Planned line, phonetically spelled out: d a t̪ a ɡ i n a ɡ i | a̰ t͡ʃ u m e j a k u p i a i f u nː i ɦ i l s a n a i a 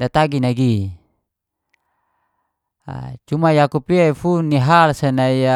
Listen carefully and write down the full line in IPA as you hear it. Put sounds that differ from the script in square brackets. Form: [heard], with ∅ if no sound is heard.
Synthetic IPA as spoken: d a t̪ a ɡ i n a ɡ i | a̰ t͡ʃ u m [a] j a k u p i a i f u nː i ɦ [a] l s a n a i a

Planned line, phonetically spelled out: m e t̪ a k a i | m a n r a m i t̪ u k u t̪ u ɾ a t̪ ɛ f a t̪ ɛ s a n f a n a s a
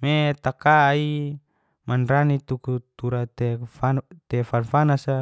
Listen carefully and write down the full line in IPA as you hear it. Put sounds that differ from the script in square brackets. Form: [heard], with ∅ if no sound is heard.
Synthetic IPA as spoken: m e t̪ a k a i | m a n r a [n] i t̪ u k u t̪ u ɾ a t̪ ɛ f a t̪ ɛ [f] a n f a n a s a

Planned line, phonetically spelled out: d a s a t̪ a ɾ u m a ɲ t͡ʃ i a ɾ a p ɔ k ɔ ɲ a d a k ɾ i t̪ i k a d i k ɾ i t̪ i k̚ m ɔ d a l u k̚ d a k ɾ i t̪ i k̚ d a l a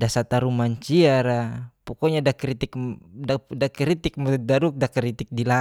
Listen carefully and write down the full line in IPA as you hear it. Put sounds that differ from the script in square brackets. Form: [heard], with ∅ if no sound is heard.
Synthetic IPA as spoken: d a s a t̪ a ɾ u m a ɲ t͡ʃ i a ɾ a p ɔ k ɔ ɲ a d a k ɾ i t̪ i k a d [a] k ɾ i t̪ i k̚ m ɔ d a [ɾ] u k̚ d a k ɾ i t̪ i k̚ d [i] l a

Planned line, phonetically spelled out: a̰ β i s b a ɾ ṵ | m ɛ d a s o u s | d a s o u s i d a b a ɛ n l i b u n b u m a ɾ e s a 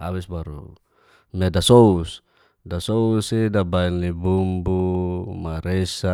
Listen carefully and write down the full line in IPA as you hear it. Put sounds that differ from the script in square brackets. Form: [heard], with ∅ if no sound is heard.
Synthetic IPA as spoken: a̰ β i s b a ɾ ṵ | m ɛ d a s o u s | d a s o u s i d a b a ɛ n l i b u [m] b u m a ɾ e s a

